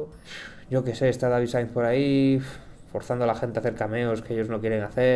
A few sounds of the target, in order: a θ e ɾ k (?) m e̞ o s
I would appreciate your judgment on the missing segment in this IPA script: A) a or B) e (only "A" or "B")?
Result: A